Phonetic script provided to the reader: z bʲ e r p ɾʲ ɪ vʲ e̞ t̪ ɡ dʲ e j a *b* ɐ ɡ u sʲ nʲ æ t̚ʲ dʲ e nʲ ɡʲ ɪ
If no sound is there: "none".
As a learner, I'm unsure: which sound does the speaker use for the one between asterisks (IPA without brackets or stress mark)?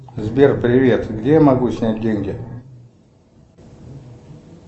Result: m